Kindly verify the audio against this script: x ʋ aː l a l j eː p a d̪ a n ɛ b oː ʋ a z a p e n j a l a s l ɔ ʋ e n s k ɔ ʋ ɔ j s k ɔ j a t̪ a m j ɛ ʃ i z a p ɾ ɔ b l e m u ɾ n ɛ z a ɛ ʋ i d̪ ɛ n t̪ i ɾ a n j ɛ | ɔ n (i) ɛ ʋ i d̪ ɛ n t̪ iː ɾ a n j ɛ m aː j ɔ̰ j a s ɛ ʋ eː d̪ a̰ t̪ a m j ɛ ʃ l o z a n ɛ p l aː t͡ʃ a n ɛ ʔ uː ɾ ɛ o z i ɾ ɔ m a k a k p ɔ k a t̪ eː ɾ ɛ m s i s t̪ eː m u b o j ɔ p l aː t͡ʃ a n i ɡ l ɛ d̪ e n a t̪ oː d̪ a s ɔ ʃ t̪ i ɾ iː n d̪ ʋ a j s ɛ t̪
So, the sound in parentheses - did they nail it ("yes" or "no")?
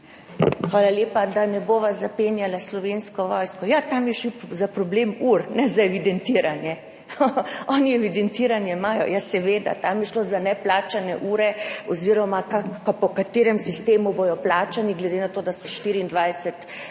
yes